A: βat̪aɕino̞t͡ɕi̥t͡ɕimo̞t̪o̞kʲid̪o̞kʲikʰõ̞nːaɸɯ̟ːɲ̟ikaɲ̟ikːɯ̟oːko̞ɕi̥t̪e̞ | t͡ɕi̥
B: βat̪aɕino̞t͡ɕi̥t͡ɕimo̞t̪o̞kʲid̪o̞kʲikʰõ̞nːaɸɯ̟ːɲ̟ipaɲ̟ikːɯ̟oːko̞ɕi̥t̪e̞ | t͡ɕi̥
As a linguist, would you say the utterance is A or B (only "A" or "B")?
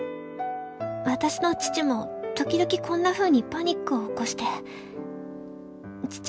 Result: B